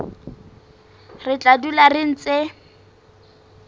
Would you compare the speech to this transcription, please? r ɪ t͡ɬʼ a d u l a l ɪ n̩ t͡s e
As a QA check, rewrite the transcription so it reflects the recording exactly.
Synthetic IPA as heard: r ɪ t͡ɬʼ a d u l a r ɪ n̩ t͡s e